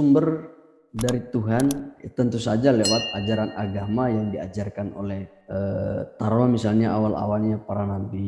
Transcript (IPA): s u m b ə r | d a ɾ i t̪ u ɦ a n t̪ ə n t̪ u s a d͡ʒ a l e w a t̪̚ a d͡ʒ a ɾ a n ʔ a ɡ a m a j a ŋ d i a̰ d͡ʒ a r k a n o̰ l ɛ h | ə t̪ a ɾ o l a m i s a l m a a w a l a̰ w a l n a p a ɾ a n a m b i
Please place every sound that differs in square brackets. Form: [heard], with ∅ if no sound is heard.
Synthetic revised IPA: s u m b ə r | d a ɾ i t̪ u ɦ a n t̪ ə n t̪ u s a d͡ʒ a l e w a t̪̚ a d͡ʒ a ɾ a n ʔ a ɡ a m a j a ŋ d i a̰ d͡ʒ a r k a n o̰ l ɛ h | ə t̪ a ɾ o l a m i s a l [ɲ] a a w a l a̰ w a l [ɲ] a p a ɾ a n a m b i